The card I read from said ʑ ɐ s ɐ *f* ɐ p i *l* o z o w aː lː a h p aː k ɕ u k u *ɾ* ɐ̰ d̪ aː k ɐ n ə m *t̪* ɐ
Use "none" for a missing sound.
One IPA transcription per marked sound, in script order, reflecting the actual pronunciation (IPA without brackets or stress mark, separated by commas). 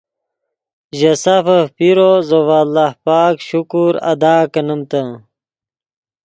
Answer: f, ɾ, ɾ, t̪